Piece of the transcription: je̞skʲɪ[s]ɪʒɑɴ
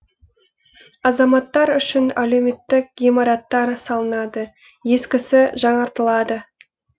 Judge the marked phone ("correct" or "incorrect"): correct